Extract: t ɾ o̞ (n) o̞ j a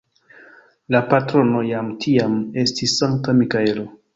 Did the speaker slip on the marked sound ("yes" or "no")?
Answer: no